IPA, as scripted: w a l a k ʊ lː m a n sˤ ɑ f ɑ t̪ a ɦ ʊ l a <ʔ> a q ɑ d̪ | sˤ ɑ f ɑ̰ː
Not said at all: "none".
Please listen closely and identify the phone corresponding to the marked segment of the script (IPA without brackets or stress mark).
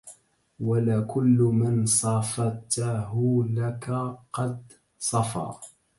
k